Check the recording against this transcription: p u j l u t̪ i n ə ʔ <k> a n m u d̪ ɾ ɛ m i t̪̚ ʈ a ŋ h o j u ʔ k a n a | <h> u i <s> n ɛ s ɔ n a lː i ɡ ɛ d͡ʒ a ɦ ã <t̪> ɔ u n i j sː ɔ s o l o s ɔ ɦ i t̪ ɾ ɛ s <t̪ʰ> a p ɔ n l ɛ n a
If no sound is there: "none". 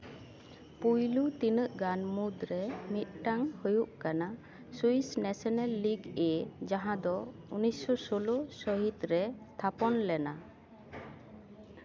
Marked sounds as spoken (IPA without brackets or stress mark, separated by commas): ɡ, s, s, d̪, t̪ʰ